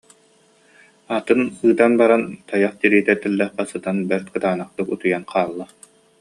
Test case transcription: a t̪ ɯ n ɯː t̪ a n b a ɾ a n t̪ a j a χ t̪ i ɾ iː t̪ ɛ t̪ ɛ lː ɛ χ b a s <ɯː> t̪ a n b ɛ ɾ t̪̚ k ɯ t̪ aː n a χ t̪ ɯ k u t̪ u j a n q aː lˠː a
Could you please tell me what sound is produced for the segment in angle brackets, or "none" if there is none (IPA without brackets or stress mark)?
ɯ